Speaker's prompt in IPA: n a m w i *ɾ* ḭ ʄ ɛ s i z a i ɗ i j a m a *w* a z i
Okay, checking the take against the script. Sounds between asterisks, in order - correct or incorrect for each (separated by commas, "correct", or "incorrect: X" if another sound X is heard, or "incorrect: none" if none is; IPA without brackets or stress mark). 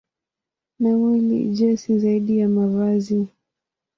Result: incorrect: l, incorrect: v